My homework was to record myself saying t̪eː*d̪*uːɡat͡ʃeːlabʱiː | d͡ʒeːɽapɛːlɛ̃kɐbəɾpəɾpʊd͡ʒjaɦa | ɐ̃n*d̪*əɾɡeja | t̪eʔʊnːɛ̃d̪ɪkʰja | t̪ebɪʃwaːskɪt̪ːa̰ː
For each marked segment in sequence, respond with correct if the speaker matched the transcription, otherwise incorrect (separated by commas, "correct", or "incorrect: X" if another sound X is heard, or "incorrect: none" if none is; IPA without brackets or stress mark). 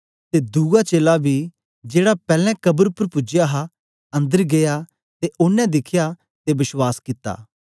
correct, correct